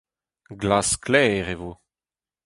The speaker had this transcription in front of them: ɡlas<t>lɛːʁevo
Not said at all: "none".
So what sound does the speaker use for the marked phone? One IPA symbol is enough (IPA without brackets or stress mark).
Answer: k